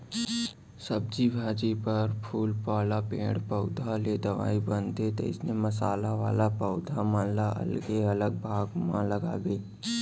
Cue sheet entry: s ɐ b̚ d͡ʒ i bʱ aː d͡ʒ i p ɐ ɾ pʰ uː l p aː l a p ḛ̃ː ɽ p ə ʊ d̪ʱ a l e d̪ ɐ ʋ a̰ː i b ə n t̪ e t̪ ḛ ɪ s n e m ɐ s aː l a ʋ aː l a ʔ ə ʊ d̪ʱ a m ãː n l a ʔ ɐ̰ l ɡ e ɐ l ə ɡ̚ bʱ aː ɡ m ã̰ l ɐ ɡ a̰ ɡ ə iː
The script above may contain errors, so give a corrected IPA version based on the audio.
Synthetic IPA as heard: s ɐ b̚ d͡ʒ i bʱ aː d͡ʒ i p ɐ ɾ pʰ uː l p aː l a p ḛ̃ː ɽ p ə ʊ d̪ʱ a l e d̪ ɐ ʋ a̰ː i b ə n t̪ e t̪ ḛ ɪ s n e m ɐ s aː l a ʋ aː l a p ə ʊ d̪ʱ a m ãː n l a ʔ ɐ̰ l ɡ e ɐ l ə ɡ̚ bʱ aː ɡ m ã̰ l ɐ ɡ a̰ ɡ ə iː